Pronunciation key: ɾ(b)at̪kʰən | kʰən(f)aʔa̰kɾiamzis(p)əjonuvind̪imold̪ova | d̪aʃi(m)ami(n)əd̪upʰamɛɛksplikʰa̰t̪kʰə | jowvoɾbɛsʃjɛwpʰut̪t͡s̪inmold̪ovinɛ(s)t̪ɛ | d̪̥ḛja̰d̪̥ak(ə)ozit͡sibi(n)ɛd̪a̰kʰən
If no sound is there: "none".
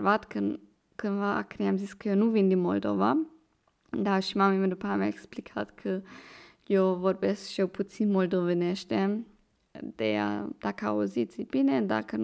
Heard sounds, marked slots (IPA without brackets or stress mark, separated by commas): v, v, k, m, m, ʃ, a, n